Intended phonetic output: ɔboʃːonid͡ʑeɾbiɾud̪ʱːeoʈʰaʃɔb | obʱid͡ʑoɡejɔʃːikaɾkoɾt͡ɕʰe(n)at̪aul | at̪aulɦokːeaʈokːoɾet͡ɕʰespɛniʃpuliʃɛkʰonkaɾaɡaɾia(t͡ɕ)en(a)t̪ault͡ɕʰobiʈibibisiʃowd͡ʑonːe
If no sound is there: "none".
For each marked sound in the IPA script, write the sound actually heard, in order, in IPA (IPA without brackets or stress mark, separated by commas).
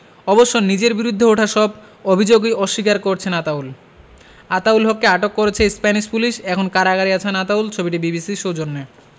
n, t͡ɕʰ, a